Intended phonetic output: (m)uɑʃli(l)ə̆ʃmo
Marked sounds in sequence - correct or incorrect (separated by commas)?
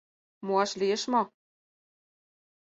correct, incorrect